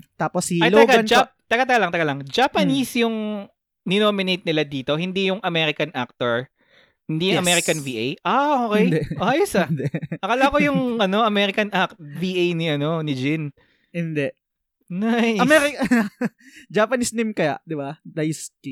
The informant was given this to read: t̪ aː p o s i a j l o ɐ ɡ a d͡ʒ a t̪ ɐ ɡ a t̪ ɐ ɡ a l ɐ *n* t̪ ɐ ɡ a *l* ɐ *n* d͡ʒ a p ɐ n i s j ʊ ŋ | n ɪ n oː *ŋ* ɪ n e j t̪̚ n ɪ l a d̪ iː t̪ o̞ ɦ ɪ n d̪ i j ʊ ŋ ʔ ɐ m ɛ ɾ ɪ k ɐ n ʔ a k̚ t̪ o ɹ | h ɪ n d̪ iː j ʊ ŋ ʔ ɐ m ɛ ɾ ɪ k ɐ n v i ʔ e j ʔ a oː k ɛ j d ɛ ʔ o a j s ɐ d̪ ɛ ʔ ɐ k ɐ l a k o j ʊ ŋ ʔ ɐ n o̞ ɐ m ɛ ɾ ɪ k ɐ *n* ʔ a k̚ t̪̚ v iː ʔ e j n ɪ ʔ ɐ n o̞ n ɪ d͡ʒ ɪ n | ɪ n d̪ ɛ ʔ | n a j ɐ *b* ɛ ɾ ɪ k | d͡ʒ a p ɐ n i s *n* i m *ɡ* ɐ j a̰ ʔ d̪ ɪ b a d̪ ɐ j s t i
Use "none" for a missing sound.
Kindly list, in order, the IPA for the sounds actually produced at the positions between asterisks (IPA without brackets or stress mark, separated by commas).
ŋ, l, ŋ, m, n, m, n, k